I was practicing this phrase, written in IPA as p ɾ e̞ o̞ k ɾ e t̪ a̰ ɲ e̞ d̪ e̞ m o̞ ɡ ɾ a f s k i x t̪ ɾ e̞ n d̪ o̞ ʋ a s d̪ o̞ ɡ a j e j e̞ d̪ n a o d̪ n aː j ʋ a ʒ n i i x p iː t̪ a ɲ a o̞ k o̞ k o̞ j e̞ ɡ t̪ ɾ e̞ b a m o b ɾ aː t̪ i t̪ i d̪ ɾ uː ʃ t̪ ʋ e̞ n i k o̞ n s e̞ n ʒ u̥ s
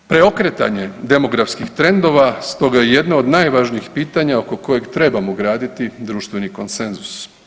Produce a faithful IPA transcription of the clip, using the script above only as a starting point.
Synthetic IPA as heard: p ɾ e̞ o̞ k ɾ e t̪ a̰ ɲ e̞ d̪ e̞ m o̞ ɡ ɾ a f s k i x t̪ ɾ e̞ n d̪ o̞ ʋ a s t̪ o̞ ɡ a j e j e̞ d̪ n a o d̪ n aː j ʋ a ʒ n i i x p iː t̪ a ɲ a o̞ k o̞ k o̞ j e̞ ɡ t̪ ɾ e̞ b a m o ɡ ɾ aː d̪ i t̪ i d̪ ɾ uː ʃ t̪ ʋ e̞ n i k o̞ n s e̞ n z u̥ s